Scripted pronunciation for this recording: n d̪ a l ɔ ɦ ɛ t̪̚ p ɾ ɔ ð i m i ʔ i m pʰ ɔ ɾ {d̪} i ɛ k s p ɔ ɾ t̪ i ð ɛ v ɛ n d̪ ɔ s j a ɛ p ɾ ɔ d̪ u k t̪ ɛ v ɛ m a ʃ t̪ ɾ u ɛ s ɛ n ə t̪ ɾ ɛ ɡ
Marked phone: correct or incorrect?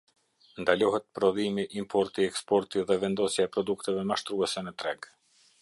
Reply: incorrect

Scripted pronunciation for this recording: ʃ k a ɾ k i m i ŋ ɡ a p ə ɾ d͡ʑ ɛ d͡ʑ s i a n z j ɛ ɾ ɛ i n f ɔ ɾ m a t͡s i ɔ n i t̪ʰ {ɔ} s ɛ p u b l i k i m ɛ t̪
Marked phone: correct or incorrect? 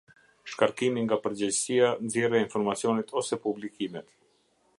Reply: correct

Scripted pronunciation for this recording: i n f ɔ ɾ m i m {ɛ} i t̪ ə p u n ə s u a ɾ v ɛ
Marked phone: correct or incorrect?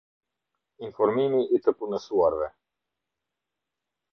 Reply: incorrect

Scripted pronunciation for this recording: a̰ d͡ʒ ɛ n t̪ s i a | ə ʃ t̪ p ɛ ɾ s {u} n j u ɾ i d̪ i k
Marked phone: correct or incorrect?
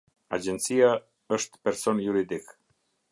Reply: incorrect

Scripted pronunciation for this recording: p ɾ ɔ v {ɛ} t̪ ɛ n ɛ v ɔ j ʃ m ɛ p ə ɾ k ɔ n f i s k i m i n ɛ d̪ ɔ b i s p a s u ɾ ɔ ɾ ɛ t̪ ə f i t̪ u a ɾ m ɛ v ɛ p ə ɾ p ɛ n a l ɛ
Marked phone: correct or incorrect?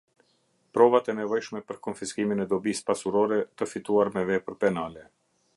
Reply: incorrect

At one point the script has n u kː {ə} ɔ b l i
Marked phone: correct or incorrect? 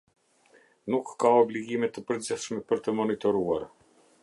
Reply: incorrect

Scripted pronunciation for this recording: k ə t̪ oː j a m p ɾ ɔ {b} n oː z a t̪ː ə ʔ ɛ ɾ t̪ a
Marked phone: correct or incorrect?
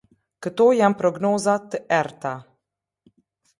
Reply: incorrect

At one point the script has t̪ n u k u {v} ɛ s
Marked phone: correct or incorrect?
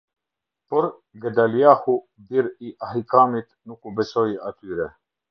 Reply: incorrect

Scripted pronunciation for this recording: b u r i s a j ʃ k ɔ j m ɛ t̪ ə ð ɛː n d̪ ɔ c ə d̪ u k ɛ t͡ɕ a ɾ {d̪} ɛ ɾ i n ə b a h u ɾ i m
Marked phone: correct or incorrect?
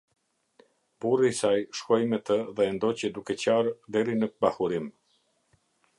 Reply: correct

